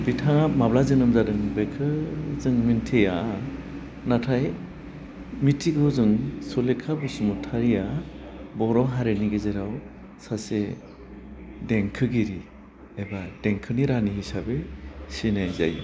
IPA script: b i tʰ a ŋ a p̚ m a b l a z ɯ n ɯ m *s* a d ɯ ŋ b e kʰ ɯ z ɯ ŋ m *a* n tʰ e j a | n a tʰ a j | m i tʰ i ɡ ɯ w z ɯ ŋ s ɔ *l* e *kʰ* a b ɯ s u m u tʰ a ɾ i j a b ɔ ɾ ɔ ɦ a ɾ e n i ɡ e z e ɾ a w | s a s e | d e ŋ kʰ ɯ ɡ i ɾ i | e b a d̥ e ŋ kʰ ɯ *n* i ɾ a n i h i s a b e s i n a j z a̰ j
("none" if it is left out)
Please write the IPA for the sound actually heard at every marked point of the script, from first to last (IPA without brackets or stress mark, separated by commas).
z, i, l, kʰ, n